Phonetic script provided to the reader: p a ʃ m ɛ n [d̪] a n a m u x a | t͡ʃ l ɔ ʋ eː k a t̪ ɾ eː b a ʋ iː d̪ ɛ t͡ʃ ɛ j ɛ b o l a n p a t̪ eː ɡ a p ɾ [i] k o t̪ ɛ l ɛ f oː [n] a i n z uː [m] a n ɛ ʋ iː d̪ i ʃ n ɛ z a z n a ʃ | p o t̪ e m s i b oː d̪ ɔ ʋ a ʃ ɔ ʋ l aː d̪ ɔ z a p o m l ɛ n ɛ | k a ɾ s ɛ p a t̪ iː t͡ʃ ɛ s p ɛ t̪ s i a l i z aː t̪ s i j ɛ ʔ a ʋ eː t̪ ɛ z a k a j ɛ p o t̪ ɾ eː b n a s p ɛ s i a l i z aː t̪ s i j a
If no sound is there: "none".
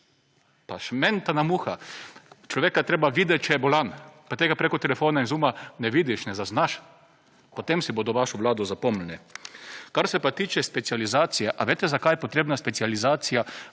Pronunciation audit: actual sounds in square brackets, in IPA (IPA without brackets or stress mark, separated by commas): t̪, e, n, m